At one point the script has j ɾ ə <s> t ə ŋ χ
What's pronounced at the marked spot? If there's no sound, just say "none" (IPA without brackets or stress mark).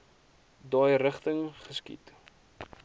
χ